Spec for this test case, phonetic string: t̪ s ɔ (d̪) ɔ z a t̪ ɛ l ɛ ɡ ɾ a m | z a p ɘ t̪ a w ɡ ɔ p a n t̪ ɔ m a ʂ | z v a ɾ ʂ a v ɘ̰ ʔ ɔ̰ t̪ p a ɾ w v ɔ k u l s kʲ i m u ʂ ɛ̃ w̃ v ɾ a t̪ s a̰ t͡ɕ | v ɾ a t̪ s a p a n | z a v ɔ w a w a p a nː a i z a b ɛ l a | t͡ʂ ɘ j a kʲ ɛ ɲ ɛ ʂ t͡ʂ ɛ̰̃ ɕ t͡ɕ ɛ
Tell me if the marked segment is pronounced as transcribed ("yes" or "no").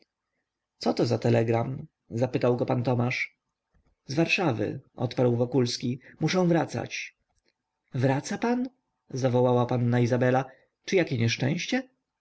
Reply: no